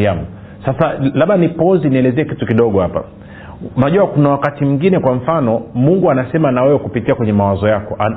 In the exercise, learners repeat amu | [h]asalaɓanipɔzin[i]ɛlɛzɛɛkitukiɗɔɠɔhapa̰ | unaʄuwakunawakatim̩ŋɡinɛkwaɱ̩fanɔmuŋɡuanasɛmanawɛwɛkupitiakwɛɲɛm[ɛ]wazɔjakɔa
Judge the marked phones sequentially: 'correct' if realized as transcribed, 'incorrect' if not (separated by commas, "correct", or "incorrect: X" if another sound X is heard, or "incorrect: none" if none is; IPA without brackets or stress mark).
incorrect: s, correct, incorrect: a